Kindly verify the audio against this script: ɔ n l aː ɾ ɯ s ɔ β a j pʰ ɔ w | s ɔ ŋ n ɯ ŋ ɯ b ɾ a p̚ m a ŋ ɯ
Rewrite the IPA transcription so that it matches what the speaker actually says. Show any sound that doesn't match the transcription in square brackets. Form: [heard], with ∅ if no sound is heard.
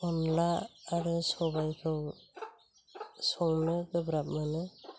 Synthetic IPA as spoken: ɔ n l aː ɾ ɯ s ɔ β a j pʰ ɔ w | s ɔ ŋ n ɯ [ɡ] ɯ b ɾ a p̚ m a [n] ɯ